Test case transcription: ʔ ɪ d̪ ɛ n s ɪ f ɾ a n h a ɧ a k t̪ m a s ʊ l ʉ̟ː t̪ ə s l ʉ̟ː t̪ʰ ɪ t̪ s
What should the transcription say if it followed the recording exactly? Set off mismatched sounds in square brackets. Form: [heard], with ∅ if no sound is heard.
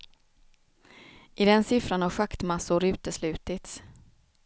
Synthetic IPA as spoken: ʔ ɪ d̪ ɛ n s ɪ f ɾ a n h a ɧ a k t̪ m a s ʊ [ɾ] ʉ̟ː t̪ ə s l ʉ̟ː [t̪] ɪ t̪ s